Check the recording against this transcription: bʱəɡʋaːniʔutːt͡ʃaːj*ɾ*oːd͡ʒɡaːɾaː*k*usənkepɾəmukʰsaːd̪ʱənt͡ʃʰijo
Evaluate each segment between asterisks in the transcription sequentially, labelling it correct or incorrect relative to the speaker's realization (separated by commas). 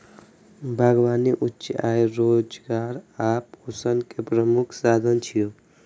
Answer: correct, incorrect